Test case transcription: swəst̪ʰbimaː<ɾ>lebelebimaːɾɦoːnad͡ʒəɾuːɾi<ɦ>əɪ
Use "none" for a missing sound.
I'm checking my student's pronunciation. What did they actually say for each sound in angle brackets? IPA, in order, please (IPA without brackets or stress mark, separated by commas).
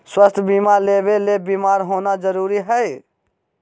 ɾ, ɦ